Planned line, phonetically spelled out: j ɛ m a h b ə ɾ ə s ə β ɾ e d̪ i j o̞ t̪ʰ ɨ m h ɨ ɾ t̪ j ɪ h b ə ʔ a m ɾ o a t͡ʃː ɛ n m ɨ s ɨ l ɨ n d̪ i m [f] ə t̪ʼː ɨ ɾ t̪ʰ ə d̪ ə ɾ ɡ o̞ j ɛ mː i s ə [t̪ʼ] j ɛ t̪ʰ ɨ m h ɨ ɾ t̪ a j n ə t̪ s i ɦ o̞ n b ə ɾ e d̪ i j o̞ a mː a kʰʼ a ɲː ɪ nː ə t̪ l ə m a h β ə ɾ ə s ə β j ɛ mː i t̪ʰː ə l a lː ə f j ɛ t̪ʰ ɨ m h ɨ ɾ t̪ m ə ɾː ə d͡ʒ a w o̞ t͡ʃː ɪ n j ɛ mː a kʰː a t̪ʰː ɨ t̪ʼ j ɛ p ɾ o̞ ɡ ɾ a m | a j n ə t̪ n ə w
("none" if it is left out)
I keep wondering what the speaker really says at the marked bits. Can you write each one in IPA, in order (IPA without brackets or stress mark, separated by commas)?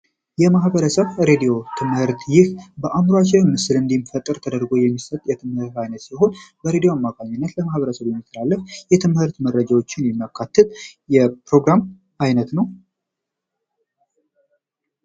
f, t̪ʼ